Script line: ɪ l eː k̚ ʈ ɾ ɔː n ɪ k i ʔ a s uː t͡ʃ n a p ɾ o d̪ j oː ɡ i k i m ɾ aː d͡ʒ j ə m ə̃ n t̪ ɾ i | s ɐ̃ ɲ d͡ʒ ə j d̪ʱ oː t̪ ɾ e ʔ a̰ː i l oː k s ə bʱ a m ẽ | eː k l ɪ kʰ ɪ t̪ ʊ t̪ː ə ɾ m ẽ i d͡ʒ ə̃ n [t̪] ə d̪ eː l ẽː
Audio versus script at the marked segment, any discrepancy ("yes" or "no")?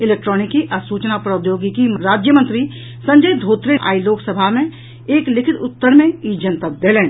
no